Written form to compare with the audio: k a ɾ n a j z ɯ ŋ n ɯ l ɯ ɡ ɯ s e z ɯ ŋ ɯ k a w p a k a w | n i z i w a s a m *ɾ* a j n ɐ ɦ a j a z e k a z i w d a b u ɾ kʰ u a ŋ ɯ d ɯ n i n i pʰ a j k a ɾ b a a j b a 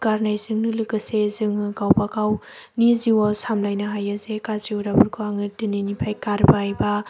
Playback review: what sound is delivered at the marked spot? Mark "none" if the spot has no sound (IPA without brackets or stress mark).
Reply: l